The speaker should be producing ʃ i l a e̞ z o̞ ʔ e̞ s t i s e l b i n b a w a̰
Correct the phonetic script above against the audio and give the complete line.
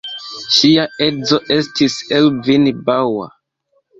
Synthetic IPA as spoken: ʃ i a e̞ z o̞ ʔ e̞ s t i s e l v i n b a w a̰